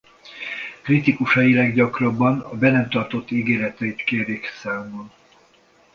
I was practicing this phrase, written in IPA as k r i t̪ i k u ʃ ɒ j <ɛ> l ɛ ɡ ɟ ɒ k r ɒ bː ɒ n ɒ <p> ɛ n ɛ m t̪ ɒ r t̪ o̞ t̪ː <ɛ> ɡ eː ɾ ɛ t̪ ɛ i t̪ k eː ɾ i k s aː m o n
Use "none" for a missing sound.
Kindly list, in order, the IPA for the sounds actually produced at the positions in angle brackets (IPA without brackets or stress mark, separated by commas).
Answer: i, b, i